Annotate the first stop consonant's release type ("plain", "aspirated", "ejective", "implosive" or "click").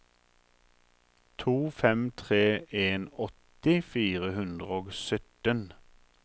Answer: aspirated